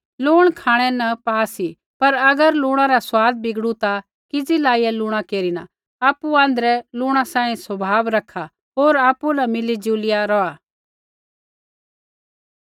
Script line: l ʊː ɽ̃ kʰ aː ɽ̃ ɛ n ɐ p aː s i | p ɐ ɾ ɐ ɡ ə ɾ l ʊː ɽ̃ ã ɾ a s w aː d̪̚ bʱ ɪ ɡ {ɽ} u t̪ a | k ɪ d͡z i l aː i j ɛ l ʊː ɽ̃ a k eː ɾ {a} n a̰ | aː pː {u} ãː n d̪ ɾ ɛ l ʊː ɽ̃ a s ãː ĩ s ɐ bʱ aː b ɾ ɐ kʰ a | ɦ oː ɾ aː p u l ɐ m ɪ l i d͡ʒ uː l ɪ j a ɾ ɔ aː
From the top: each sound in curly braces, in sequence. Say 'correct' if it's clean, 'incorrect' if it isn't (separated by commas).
correct, incorrect, correct